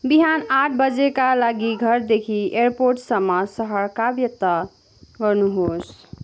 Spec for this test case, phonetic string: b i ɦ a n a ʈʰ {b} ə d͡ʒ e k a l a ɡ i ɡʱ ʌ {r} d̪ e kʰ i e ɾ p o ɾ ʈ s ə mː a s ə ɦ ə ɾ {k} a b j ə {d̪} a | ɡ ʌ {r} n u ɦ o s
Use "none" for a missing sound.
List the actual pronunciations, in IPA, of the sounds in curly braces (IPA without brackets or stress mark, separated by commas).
b, ɾ, k, t̪, ɾ